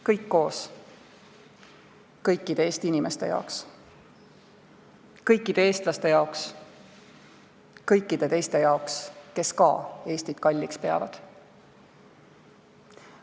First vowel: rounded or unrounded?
unrounded